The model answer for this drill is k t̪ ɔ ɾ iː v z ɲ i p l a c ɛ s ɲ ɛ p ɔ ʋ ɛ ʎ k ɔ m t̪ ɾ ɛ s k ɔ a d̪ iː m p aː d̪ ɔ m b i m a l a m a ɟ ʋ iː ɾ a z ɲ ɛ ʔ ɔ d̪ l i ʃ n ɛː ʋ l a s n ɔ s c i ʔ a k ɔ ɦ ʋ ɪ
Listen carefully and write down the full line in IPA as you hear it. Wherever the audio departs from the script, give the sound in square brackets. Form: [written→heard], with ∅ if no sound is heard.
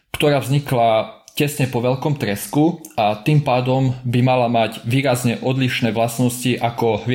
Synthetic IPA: k t̪ ɔ ɾ [iː→aː] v z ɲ i [p→k] l a c ɛ s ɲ ɛ p ɔ ʋ ɛ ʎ k ɔ m t̪ ɾ ɛ s k [ɔ→u] a [d̪→t̪] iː m p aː d̪ ɔ m b i m a l a m a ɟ ʋ iː ɾ a z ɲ ɛ ʔ ɔ d̪ l i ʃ n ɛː ʋ l a s n ɔ s c i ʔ a k ɔ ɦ ʋ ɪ